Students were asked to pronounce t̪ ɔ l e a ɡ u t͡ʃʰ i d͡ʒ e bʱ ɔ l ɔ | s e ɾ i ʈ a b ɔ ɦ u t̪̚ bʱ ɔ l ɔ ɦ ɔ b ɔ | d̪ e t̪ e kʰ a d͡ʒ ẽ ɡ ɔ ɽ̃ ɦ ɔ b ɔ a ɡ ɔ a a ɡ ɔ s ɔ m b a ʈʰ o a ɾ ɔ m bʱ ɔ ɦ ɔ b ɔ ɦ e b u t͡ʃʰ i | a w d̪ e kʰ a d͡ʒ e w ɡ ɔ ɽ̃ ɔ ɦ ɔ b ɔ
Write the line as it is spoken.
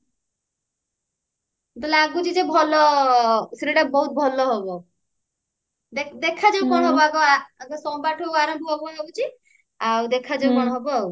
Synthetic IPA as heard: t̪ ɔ l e a ɡ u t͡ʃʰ i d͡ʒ e bʱ ɔ l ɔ | s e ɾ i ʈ a b ɔ ɦ u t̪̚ bʱ ɔ l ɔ ɦ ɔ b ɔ | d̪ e d̪ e kʰ a d͡ʒ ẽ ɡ ɔ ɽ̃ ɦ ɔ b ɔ a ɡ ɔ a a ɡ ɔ s ɔ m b a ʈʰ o a ɾ ɔ m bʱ ɔ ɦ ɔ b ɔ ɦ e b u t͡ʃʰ i | a w d̪ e kʰ a d͡ʒ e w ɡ ɔ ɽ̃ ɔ ɦ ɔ b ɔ